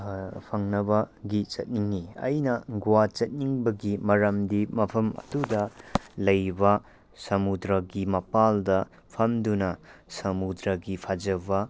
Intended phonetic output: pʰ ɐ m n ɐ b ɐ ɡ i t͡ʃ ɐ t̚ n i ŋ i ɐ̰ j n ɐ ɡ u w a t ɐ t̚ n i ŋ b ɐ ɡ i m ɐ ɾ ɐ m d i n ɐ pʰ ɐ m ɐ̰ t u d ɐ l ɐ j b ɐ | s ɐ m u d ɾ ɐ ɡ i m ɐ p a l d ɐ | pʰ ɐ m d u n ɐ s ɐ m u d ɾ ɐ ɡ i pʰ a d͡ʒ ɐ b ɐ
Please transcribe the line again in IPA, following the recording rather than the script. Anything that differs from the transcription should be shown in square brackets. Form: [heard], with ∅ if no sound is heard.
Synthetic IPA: pʰ ɐ [ŋ] n ɐ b ɐ ɡ i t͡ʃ ɐ t̚ n i ŋ i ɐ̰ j n ɐ ɡ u w a [t͡ʃ] ɐ t̚ n i ŋ b ɐ ɡ i m ɐ ɾ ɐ m d i [m] ɐ pʰ ɐ m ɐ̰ t u d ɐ l ɐ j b ɐ | s ɐ m u d ɾ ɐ ɡ i m ɐ p a l d ɐ | pʰ ɐ m d u n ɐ s ɐ m u d ɾ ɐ ɡ i pʰ a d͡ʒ ɐ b ɐ